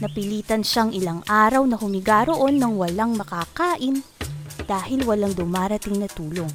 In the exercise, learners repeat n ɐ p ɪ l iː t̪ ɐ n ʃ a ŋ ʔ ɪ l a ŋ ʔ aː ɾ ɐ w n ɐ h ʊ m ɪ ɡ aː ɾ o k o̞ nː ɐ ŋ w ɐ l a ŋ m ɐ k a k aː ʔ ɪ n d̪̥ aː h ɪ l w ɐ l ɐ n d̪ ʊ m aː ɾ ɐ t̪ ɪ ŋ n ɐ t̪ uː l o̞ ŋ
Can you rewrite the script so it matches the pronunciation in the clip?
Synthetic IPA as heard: n ɐ p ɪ l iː t̪ ɐ n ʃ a ŋ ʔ ɪ l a ŋ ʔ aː ɾ ɐ w n ɐ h ʊ m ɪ ɡ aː ɾ o ʔ o̞ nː ɐ ŋ w ɐ l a ŋ m ɐ k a k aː ʔ ɪ n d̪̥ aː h ɪ l w ɐ l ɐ ŋ d̪ ʊ m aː ɾ ɐ t̪ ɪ ŋ n ɐ t̪ uː l o̞ ŋ